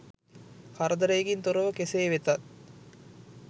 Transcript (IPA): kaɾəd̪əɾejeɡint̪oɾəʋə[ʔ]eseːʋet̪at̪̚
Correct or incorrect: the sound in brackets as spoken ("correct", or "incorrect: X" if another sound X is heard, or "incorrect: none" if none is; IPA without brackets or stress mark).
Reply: incorrect: k